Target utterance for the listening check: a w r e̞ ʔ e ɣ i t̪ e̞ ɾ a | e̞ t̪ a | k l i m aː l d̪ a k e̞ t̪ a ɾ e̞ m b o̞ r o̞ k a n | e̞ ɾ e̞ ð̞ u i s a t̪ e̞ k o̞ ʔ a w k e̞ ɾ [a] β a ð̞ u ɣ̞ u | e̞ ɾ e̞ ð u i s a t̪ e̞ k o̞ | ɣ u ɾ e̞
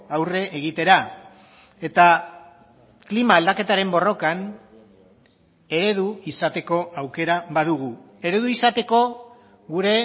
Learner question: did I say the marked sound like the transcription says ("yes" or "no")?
yes